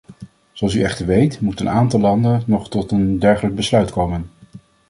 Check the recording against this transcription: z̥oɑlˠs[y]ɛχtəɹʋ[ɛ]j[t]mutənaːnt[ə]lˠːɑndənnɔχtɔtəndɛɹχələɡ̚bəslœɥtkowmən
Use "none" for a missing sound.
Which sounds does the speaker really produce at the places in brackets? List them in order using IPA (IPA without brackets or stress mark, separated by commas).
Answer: y, e, t, ɑ